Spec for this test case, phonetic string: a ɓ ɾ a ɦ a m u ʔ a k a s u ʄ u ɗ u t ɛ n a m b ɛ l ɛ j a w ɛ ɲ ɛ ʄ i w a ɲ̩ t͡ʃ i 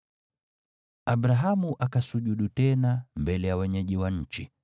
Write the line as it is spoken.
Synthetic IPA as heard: a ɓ ɾ a ɦ a m u ʔ a k a s u ʄ u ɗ u t ɛ n a m b ɛ l ɛ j a w ɛ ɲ ɛ ʄ i w a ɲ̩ t͡ʃ i